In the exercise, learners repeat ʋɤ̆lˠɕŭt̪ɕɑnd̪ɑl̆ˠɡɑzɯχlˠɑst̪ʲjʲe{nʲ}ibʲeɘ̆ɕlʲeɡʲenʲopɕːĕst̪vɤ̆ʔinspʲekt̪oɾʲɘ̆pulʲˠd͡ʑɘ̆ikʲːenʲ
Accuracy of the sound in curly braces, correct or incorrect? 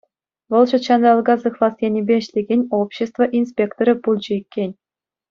correct